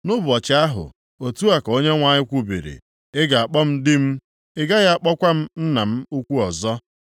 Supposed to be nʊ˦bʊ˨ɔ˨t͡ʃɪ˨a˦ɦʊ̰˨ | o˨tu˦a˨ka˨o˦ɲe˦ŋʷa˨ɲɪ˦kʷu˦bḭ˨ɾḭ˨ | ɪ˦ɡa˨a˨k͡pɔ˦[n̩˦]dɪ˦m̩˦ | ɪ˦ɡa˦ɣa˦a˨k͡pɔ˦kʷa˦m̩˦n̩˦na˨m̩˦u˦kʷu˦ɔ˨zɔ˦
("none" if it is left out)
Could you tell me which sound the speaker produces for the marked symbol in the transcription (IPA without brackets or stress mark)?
m̩˦